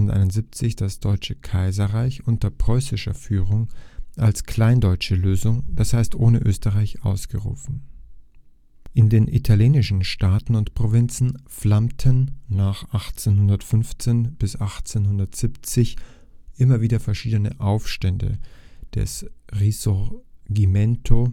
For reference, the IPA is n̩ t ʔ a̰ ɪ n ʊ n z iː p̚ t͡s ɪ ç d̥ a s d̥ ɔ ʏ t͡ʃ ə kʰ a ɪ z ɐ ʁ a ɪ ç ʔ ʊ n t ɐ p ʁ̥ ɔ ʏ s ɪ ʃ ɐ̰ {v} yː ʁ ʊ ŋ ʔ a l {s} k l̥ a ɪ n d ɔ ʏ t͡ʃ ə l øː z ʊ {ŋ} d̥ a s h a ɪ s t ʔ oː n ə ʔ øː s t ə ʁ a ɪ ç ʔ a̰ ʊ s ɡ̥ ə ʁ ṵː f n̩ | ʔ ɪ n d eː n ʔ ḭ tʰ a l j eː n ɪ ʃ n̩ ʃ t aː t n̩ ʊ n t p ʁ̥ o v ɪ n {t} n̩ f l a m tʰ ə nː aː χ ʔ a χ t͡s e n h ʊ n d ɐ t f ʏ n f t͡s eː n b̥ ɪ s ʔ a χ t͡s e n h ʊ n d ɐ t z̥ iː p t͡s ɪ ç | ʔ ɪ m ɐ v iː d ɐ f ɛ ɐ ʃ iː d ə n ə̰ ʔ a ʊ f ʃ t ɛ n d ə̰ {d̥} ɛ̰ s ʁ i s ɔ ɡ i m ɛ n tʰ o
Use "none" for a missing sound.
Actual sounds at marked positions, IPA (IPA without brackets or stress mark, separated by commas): f, s, ŋ, t͡s, d̥